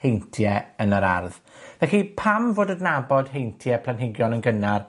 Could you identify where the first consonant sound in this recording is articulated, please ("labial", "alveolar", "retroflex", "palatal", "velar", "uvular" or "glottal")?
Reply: glottal